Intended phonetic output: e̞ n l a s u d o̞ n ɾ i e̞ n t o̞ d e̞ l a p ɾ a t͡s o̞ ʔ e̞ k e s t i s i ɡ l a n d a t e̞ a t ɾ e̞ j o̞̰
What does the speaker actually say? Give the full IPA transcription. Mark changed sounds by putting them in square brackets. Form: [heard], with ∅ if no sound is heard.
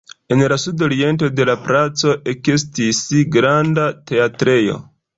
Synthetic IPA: e̞ n l a s u d o̞ [∅] ɾ i e̞ n t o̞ d e̞ l a p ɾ a t͡s o̞ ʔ e̞ k e s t i s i ɡ [ɾ] a n d a t e̞ a t ɾ e̞ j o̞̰